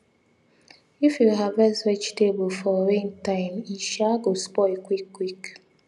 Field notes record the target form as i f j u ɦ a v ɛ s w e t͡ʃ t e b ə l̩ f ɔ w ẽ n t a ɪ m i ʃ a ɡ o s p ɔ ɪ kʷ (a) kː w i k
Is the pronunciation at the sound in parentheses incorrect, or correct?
incorrect